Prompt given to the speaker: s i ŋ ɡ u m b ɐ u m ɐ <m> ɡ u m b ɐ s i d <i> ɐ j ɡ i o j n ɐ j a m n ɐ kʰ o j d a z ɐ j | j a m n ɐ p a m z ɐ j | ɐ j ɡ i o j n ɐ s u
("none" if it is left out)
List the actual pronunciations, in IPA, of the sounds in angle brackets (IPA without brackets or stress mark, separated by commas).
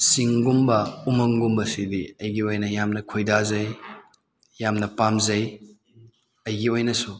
ŋ, i